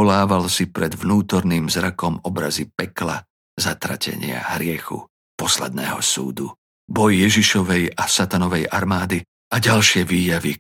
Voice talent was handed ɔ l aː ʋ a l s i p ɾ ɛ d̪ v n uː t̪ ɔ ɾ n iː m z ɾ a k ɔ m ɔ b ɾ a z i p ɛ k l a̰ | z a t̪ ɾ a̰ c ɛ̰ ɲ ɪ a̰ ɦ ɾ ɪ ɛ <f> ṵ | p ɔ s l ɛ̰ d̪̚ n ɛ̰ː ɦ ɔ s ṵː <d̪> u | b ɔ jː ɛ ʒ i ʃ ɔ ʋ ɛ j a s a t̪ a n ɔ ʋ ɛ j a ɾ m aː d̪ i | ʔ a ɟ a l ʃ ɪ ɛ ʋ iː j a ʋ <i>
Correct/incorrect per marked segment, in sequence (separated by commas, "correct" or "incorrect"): incorrect, correct, correct